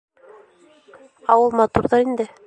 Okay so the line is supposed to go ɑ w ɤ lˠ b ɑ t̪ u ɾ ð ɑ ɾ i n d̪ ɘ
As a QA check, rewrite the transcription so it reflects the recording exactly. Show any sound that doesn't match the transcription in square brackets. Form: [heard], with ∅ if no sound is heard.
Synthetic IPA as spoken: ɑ w ɤ lˠ [m] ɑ t̪ u ɾ ð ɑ ɾ i n d̪ ɘ